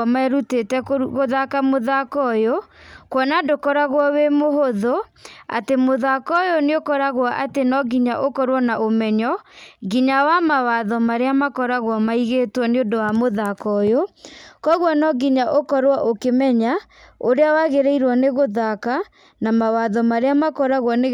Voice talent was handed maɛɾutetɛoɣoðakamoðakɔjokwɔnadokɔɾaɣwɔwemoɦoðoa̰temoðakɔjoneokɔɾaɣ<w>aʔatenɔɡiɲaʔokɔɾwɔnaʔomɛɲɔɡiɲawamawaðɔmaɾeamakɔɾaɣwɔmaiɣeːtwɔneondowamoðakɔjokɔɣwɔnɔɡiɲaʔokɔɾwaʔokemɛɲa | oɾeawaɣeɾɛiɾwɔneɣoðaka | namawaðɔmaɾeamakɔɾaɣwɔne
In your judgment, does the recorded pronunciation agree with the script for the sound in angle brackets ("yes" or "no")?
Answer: yes